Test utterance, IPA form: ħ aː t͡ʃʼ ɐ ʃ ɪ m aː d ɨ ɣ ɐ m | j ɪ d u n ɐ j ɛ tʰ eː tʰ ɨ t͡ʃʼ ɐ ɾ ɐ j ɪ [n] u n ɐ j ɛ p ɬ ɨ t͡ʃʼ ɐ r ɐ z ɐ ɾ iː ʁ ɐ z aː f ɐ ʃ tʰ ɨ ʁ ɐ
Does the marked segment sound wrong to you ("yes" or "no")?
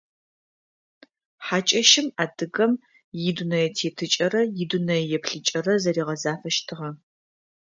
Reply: yes